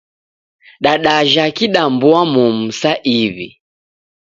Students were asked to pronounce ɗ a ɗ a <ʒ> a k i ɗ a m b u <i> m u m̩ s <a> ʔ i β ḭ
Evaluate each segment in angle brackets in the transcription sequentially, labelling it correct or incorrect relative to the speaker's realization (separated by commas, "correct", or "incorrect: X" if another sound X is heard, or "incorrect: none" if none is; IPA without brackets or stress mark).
correct, incorrect: a, correct